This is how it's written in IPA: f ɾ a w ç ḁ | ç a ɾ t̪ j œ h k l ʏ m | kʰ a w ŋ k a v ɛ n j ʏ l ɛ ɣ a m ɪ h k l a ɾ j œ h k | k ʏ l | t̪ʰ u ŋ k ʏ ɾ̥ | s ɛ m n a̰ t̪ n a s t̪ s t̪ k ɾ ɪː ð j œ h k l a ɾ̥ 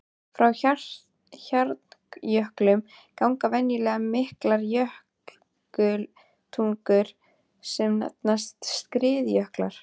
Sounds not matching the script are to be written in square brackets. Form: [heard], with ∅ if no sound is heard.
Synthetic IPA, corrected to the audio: f ɾ a w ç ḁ | ç a ɾ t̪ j œ h k l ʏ m | [k] a w ŋ k a v ɛ n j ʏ l ɛ ɣ a m ɪ h k l a ɾ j œ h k | k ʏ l | t̪ʰ u ŋ k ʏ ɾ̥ | s ɛ m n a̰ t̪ n a s t̪ s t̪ k ɾ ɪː ð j œ h k l a ɾ̥